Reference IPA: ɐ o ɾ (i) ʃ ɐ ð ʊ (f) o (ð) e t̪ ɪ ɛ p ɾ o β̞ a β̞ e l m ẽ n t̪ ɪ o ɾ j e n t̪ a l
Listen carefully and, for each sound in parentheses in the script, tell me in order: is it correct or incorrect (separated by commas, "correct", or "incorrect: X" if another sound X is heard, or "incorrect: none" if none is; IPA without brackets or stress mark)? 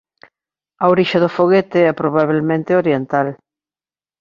correct, correct, incorrect: ɣ